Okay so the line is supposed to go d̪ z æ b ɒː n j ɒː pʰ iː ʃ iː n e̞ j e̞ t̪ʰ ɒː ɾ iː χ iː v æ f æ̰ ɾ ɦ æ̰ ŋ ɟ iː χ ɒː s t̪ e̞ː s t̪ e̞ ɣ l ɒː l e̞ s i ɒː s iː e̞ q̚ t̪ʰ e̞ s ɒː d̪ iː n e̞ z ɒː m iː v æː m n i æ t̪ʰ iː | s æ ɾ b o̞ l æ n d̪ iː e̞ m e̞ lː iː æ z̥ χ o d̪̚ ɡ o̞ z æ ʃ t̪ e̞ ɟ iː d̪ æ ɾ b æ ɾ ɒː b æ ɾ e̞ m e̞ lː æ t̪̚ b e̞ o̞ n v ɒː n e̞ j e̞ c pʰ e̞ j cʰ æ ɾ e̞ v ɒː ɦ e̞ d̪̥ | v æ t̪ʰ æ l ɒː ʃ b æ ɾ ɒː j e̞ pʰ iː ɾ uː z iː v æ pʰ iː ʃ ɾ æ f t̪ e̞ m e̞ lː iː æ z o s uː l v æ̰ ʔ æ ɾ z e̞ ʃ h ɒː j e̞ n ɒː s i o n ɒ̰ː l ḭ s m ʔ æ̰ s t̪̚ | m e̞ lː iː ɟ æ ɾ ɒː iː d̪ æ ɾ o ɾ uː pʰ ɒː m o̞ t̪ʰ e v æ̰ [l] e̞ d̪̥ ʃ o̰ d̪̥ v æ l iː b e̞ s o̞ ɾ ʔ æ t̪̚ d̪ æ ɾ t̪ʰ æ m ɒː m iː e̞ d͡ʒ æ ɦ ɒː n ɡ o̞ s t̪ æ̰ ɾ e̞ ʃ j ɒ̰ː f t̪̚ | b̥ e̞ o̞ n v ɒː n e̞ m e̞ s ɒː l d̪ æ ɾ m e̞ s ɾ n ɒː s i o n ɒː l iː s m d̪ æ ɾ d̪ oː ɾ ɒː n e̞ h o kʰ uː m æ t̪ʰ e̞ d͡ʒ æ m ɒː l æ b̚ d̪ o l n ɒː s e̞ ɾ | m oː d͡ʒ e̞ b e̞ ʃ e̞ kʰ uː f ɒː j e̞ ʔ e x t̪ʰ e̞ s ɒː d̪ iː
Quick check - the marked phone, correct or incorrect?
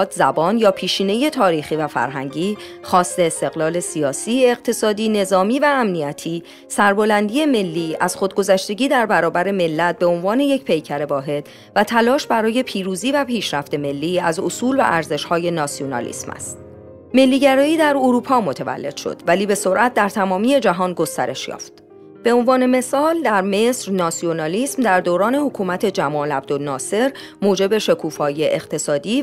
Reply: incorrect